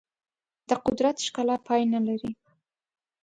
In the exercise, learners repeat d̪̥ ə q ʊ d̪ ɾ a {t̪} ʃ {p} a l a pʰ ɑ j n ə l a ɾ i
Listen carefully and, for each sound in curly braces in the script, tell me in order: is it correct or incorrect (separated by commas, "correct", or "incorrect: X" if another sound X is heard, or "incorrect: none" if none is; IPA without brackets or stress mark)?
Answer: correct, incorrect: k